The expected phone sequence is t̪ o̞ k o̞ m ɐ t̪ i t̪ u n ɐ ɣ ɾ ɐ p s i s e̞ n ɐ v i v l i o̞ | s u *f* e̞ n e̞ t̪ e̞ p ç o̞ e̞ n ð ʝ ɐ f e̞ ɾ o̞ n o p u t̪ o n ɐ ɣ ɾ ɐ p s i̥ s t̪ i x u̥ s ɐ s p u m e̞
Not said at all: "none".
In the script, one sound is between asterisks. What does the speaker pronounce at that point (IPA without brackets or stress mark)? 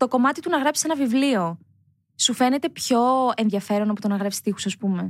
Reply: f